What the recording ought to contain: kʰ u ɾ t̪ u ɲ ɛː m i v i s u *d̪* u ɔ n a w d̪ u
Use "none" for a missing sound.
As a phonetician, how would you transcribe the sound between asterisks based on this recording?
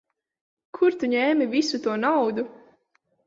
t̪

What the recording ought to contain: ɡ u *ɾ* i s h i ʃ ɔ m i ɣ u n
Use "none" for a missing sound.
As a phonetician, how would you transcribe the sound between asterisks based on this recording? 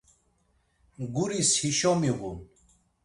ɾ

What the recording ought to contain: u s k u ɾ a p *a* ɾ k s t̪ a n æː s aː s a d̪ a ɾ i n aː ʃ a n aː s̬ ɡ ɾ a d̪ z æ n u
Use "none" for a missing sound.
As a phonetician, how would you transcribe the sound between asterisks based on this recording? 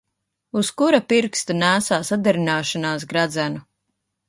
i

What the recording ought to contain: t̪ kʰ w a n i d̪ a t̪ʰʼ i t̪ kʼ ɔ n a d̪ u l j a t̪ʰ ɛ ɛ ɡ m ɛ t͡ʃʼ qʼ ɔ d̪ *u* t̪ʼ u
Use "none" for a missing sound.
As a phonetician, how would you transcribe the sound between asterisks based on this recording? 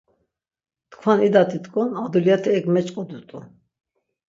u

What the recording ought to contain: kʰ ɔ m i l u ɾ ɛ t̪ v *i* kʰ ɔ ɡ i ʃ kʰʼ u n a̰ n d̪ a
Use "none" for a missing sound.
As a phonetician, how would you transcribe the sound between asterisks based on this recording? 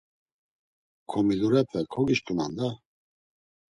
ɛ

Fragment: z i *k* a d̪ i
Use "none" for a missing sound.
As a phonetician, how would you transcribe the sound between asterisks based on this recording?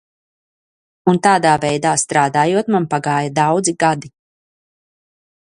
ɡ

